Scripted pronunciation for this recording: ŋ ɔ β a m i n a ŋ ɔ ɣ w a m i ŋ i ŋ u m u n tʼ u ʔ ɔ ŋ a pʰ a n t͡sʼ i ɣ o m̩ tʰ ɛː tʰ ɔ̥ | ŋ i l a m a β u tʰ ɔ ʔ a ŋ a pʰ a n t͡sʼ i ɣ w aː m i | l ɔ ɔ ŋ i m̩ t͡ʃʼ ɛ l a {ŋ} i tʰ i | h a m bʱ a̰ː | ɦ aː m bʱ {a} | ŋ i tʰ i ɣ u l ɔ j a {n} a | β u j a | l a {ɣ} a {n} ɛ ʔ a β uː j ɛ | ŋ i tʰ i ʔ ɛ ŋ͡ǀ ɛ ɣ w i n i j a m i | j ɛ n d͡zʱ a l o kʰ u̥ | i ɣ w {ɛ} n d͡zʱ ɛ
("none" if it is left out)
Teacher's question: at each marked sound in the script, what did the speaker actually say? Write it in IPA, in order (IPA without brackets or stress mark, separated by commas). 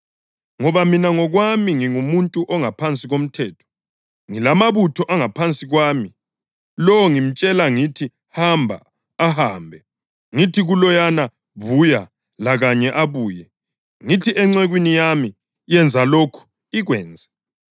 ŋ, ɛ, n, ɣ, ɲ, ɛː